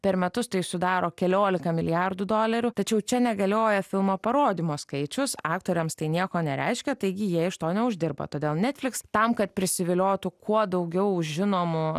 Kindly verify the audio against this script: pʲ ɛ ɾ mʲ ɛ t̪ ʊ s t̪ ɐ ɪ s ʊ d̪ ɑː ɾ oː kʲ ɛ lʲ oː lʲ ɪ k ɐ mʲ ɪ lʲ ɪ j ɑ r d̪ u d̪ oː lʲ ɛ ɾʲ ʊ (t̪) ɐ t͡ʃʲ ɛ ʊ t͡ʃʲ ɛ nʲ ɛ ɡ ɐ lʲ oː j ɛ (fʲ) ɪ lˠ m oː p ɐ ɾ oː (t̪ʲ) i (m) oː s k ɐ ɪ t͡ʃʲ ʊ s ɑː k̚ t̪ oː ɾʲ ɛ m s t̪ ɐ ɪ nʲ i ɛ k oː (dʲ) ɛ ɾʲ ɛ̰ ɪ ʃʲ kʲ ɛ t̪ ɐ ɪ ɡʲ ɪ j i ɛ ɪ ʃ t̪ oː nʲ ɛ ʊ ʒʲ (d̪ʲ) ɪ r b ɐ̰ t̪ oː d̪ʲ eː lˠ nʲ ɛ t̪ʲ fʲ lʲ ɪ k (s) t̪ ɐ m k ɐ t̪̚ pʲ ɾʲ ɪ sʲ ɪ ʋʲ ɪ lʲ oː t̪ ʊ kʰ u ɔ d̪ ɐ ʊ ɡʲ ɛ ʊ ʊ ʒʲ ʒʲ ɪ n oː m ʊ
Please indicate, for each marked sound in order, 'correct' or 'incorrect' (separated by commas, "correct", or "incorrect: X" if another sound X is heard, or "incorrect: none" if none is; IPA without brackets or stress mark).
correct, correct, incorrect: d̪ʲ, correct, incorrect: nʲ, correct, correct